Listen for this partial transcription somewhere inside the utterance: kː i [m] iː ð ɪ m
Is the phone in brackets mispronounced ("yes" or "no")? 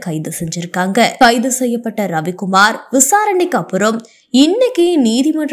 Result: yes